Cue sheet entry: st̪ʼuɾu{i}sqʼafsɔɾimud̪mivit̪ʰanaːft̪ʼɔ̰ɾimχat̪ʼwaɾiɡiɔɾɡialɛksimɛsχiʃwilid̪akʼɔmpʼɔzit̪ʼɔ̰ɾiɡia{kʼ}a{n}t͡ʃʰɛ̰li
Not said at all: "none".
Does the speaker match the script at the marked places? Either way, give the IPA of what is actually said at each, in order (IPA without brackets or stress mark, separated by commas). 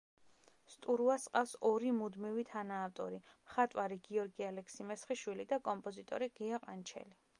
a, qʼ, n